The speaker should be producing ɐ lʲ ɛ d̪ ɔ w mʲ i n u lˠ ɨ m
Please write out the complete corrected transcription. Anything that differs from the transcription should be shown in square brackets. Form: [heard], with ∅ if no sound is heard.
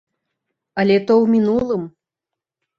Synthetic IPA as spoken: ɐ lʲ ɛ [t̪] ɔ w mʲ i n u lˠ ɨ m